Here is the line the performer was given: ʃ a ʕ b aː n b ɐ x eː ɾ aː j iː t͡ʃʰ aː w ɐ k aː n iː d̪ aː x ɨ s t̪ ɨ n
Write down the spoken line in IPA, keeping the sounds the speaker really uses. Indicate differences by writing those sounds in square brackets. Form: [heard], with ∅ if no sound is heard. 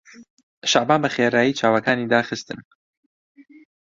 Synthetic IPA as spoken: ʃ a ʕ b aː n b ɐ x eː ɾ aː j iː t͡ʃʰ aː w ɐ k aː n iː d̪ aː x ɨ s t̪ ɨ n